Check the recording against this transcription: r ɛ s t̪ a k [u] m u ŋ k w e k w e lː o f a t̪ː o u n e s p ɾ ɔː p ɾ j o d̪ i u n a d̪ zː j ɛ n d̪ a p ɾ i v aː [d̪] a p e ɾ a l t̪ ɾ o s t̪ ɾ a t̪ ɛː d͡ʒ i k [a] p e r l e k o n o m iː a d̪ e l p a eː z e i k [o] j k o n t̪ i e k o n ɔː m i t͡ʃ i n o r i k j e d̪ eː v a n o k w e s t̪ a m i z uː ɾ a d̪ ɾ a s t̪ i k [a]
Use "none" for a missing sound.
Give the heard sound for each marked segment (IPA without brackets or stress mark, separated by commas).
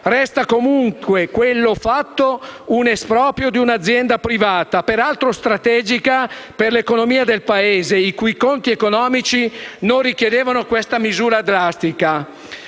o, t̪, a, u, a